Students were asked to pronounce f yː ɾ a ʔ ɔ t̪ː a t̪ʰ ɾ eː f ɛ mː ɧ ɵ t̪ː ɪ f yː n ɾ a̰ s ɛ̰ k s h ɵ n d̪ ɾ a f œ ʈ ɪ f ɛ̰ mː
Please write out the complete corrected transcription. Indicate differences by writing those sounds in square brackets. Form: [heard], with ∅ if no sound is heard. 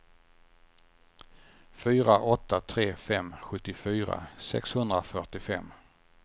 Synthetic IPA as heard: f yː ɾ a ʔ ɔ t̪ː a t̪ʰ ɾ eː f ɛ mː ɧ ɵ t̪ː ɪ f yː [∅] ɾ a̰ s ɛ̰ k s h ɵ n d̪ ɾ a f œ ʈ ɪ f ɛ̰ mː